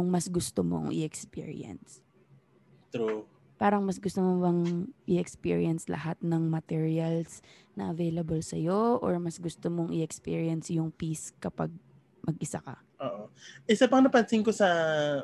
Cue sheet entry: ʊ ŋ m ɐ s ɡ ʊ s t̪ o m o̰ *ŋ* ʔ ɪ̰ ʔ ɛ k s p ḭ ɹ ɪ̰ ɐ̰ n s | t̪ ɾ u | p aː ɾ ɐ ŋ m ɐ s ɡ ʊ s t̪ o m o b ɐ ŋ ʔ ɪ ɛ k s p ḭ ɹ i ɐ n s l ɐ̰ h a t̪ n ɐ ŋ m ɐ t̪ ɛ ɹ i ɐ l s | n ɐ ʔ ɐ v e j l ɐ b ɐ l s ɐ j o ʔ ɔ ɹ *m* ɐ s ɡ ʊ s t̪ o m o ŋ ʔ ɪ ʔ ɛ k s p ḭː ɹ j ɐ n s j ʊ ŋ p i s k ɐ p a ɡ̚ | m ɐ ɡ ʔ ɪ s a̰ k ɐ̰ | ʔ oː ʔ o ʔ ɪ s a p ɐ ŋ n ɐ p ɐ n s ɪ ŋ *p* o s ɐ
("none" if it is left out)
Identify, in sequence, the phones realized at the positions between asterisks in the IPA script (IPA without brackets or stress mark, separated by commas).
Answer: ŋ, m, k